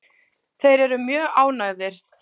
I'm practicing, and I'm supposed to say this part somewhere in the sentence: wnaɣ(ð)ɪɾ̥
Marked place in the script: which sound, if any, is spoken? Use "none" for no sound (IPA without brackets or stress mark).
ð